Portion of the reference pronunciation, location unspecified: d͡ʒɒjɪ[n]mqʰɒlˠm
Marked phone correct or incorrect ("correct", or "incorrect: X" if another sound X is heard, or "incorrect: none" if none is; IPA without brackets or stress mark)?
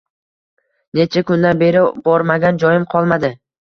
incorrect: none